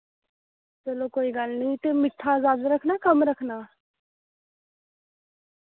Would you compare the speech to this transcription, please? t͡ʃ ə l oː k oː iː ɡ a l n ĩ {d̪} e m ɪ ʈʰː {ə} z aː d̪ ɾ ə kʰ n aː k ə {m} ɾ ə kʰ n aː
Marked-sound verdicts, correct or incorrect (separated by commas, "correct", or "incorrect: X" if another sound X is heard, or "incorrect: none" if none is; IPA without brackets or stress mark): incorrect: t̪, incorrect: a, correct